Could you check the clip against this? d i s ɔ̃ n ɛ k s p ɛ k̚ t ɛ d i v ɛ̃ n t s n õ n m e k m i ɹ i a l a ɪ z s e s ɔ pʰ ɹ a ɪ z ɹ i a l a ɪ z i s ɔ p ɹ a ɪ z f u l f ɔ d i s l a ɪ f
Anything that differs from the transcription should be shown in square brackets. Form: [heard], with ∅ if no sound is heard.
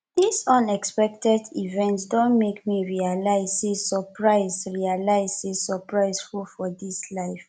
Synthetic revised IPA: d i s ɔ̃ n ɛ k s p ɛ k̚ t ɛ d i v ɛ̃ n t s [d] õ n m e k m i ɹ i a l a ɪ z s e s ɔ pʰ ɹ a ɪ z ɹ i a l a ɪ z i s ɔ p ɹ a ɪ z f u l f ɔ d i s l a ɪ f

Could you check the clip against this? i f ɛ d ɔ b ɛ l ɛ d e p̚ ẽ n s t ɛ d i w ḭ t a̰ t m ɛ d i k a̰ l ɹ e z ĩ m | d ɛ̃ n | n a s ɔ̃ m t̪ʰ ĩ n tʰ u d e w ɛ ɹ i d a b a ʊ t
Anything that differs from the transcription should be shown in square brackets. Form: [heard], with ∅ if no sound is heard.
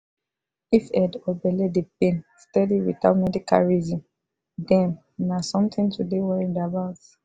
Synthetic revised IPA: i f ɛ d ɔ b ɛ l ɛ d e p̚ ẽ n s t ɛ d i w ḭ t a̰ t m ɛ d i k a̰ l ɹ [i] z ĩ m | d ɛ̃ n | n a s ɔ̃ m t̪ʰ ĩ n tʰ u d e w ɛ ɹ i d a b a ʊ t

